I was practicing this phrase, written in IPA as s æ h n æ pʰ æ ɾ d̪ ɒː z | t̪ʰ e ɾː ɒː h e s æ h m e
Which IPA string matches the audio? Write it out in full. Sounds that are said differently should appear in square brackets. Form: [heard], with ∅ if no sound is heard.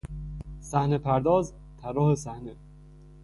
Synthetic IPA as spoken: s æ h n [e] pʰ æ ɾ d̪ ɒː z | t̪ʰ [æ] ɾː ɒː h e s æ h [n] e